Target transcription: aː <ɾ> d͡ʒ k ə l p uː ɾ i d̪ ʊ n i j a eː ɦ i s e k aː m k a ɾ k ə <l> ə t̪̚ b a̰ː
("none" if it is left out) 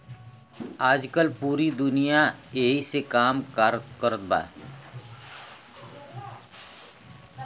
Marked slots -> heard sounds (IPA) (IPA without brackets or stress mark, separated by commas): none, ɾ